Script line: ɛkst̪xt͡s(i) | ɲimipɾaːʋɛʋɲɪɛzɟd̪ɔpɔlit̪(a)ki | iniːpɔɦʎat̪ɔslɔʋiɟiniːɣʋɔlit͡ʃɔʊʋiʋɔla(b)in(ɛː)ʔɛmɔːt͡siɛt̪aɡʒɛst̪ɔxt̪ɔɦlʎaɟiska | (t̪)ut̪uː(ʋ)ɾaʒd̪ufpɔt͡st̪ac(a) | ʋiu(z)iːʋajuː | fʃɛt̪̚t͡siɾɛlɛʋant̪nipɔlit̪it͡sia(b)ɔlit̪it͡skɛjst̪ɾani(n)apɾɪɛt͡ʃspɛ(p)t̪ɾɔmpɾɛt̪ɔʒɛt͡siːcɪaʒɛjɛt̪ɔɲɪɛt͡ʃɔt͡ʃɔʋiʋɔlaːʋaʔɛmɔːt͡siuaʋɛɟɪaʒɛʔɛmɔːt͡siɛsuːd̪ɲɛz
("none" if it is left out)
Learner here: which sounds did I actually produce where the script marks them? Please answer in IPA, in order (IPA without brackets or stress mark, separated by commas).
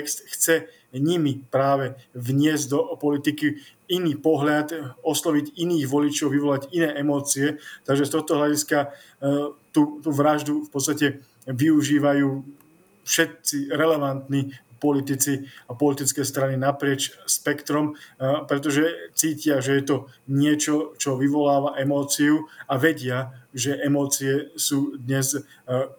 ɛ, i, ɟ, ɛː, t̪, ʋ, ɛ, ʒ, p, n, k